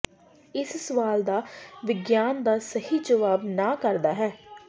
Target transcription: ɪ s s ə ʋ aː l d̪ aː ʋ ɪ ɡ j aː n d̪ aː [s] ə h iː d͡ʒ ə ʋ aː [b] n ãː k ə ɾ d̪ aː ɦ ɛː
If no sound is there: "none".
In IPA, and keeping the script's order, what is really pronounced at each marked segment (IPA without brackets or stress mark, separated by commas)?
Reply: s, b